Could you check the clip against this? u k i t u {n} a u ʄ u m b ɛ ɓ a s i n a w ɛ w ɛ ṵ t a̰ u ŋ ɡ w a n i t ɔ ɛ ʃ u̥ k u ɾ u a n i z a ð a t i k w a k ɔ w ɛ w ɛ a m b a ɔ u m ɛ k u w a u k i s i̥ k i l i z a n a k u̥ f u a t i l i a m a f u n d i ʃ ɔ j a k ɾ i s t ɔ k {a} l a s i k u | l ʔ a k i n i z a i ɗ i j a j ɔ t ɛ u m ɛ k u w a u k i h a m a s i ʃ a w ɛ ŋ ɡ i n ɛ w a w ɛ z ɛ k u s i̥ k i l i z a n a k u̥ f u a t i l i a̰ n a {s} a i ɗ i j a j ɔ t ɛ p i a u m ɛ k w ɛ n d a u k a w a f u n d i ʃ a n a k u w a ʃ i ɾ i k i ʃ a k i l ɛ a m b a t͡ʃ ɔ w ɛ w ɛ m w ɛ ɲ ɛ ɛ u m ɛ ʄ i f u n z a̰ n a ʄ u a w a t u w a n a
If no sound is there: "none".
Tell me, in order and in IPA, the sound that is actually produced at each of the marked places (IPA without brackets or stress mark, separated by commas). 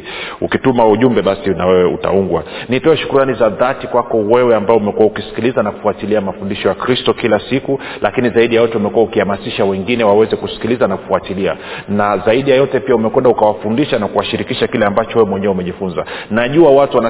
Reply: m, i, z